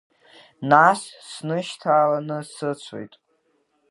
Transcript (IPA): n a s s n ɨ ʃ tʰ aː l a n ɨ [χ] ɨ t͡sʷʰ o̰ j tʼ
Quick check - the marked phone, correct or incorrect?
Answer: incorrect